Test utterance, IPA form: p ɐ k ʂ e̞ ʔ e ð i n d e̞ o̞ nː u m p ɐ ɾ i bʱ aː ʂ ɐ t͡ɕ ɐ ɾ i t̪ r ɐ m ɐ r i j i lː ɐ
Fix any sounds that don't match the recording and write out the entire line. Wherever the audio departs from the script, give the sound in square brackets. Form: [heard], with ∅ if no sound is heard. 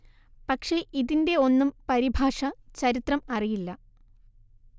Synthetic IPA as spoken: p ɐ k ʂ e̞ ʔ [i] ð i n d e̞ o̞ nː u m p ɐ ɾ i bʱ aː ʂ ɐ t͡ɕ ɐ ɾ i t̪ r ɐ m ɐ r i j i lː ɐ